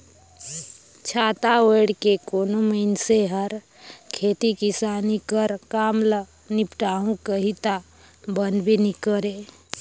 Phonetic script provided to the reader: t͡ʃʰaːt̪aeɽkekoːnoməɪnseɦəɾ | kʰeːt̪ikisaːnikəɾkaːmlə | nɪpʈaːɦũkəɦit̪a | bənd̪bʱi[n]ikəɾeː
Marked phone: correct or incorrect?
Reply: correct